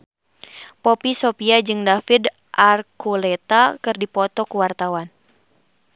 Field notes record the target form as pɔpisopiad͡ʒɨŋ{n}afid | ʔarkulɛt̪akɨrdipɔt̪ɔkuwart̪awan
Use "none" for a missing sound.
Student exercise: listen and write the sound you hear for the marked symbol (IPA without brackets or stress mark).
d